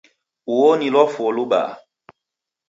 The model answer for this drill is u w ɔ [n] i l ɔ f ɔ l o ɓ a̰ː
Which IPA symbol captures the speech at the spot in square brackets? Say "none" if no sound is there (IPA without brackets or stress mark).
n